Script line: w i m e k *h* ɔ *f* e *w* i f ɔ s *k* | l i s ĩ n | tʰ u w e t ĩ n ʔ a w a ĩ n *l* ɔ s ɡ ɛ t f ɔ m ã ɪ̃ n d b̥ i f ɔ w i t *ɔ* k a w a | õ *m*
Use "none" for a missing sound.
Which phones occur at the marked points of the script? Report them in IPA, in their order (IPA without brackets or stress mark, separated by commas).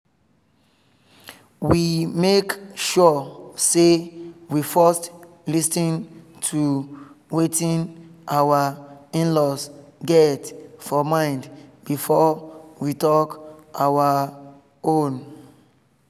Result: ʃ, s, w, t, l, ɔ, n